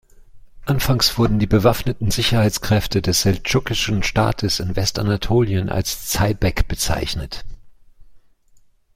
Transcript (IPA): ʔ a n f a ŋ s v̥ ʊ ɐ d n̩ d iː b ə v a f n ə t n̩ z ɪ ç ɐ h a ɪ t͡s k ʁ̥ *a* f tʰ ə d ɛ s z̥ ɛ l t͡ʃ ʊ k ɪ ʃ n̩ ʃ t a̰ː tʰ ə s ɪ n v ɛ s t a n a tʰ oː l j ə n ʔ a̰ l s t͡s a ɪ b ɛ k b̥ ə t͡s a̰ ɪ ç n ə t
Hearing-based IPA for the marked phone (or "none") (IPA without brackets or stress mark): ɛ